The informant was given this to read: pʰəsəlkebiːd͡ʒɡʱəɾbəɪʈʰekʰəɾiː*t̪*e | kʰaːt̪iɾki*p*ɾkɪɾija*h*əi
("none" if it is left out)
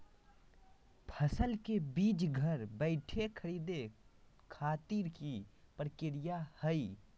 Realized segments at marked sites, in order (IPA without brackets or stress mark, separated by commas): d̪, p, h